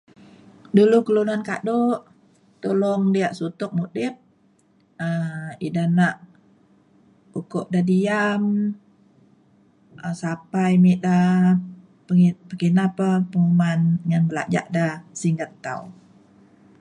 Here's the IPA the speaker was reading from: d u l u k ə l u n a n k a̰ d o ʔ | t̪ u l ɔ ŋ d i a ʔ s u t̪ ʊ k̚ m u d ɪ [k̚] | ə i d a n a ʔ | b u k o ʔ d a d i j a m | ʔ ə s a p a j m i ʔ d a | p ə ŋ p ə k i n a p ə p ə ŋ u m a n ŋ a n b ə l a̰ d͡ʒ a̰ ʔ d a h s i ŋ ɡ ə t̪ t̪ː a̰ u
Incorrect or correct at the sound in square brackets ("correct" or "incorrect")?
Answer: incorrect